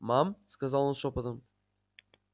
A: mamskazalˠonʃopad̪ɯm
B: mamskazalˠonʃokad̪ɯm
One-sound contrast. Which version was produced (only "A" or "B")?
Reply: A